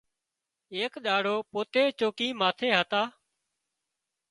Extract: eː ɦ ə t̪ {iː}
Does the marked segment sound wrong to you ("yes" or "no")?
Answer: yes